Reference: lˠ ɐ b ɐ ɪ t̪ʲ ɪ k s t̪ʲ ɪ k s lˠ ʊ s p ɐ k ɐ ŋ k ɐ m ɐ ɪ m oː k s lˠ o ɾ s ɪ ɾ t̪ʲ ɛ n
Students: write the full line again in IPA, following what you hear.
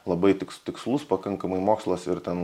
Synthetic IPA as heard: lˠ ɐ b ɐ ɪ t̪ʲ ɪ k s t̪ʲ ɪ k s lˠ ʊ s p ɐ k ɐ ŋ k ɐ m ɐ ɪ m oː k s lˠ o s ɪ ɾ t̪ʲ ɛ n